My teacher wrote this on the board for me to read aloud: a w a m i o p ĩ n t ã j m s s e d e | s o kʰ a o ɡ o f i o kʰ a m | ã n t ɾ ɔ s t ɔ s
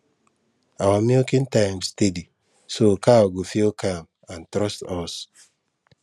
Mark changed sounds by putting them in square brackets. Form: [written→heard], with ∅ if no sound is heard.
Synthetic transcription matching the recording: a w a m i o [p→k] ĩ n t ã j m s [s→t] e d [e→i] | s o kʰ a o ɡ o f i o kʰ a m | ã n t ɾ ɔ s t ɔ s